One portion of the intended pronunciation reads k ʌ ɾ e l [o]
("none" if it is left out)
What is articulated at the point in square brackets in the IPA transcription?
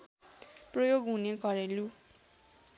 u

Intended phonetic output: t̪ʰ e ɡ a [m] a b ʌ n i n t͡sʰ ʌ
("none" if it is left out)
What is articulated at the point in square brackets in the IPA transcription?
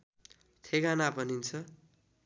n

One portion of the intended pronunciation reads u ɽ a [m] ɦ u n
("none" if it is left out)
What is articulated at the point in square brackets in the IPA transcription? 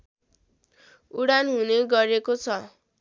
n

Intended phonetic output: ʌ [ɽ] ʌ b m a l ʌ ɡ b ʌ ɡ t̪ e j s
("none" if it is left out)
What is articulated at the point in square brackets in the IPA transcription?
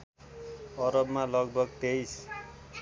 ɾ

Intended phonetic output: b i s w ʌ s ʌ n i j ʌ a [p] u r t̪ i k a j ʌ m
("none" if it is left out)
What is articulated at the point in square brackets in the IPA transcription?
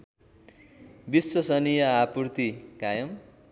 p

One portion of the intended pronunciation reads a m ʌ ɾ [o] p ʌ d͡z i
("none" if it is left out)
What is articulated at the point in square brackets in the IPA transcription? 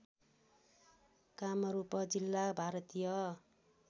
u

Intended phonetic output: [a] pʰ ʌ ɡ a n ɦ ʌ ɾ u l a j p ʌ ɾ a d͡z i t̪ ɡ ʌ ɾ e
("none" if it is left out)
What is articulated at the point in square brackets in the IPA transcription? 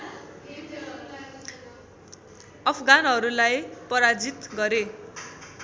ʌ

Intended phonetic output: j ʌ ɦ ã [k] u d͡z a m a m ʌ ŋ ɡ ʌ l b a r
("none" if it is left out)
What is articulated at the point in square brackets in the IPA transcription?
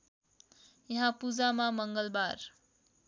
p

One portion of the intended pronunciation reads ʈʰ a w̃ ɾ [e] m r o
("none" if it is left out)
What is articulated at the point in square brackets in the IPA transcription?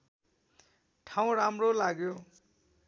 a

